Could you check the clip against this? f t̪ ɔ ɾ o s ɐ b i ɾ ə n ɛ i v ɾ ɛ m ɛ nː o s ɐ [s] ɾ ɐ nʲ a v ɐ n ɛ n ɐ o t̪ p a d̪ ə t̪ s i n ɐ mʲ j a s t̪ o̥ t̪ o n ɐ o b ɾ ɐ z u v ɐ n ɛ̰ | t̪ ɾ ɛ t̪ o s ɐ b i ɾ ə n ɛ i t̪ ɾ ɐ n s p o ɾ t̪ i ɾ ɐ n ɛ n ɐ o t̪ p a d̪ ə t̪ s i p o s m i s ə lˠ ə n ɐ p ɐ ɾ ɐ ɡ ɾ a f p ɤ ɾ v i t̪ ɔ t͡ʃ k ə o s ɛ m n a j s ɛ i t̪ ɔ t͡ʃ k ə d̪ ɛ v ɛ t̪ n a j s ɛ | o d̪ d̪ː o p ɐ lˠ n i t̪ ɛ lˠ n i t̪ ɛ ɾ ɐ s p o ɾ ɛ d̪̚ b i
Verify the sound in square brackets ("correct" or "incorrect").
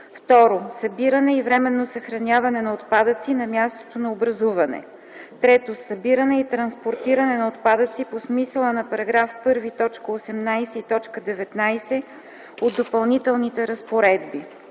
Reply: incorrect